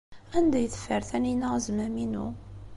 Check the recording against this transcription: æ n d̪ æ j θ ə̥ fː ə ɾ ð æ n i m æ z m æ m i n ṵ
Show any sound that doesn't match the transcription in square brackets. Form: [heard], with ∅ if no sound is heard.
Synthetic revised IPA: æ n d̪ æ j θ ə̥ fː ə ɾ [θ] æ n i [n] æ z m æ m i n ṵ